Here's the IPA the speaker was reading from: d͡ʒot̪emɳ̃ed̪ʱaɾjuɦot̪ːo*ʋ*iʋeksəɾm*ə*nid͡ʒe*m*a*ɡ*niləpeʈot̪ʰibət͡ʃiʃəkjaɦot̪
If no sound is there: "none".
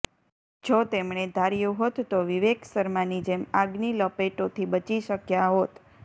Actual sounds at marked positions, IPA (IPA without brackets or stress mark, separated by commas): ʋ, a, m, ɡ